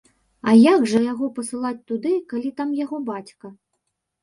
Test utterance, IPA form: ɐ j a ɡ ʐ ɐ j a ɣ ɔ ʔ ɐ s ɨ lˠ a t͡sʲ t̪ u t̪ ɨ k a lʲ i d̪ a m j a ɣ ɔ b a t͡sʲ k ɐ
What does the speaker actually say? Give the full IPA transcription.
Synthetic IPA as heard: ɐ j a ɡ ʐ ɐ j a ɣ ɔ p ɐ s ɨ lˠ a t͡sʲ t̪ u d̪ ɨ k a lʲ i t̪ a m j a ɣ ɔ b a t͡sʲ k ɐ